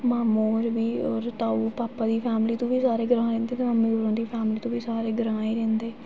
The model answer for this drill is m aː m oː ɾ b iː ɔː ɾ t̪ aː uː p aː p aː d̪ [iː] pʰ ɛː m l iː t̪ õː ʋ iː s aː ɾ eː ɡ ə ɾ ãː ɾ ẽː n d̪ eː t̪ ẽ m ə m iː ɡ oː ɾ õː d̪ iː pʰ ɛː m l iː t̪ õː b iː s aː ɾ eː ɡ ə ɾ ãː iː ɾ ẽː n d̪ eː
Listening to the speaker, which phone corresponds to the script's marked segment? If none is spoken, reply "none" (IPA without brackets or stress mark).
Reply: iː